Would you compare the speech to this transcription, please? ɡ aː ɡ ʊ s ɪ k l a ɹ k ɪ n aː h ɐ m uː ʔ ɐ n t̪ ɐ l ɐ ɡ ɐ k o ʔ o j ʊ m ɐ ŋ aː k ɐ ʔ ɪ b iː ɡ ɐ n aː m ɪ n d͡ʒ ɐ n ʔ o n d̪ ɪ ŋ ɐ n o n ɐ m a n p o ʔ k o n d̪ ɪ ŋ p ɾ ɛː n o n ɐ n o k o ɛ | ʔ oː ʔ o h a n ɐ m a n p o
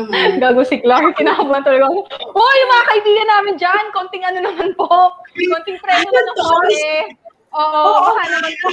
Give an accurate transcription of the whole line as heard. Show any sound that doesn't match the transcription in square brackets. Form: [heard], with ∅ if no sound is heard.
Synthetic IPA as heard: ɡ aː ɡ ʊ s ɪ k l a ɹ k ɪ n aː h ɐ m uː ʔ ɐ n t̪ ɐ l ɐ ɡ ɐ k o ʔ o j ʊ m ɐ ŋ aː k ɐ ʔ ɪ b iː ɡ ɐ n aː m ɪ n d͡ʒ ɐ n [k] o n [t̪] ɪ ŋ ɐ n o n ɐ m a n p o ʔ k o n [t̪] ɪ ŋ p ɾ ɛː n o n ɐ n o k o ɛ | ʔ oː ʔ o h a n ɐ m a n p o